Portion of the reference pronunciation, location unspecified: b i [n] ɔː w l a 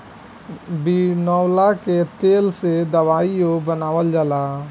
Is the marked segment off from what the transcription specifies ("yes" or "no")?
no